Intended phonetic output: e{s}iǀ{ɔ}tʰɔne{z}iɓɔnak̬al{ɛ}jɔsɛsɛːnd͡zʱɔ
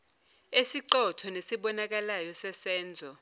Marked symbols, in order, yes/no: yes, yes, no, no

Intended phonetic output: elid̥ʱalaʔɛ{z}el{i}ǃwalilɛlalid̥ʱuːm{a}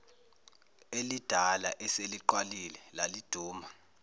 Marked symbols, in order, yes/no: no, yes, yes

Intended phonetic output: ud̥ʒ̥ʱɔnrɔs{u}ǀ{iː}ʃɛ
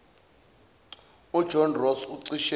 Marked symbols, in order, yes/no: yes, no

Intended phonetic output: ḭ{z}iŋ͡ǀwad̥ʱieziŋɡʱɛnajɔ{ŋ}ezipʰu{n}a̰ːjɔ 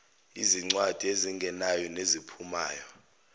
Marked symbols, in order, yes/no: yes, no, no

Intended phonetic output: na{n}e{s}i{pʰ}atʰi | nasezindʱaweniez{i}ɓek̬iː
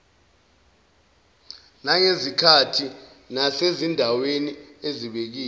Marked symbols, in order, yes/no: no, no, no, yes

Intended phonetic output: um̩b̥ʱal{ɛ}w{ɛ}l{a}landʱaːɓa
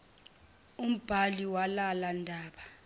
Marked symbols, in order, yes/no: no, no, yes

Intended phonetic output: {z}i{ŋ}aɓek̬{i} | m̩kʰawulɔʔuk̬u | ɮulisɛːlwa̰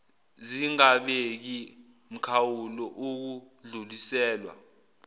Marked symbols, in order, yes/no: yes, yes, yes

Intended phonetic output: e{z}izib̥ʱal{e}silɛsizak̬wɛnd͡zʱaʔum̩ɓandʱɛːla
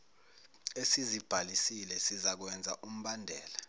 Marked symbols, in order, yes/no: no, no

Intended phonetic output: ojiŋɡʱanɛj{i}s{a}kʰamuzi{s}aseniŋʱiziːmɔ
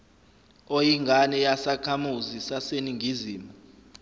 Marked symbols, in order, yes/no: no, yes, yes

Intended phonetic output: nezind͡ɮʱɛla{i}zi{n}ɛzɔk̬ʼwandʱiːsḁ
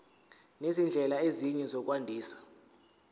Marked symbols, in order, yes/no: no, no

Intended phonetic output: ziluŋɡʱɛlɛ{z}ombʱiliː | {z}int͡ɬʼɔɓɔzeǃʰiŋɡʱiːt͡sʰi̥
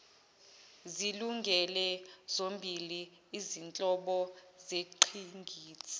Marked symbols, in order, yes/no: yes, yes

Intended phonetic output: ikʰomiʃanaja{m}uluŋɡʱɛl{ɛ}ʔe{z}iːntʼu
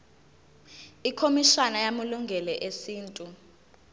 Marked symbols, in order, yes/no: yes, yes, no

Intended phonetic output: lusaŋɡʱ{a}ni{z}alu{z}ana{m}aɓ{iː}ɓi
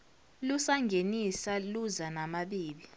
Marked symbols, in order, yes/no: no, no, yes, yes, yes

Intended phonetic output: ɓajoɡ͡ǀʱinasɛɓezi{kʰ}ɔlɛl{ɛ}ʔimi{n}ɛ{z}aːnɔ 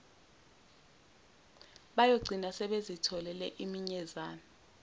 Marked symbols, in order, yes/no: no, yes, no, yes

